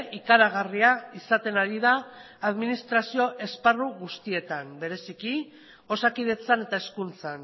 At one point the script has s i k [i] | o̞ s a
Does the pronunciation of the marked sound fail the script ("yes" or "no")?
no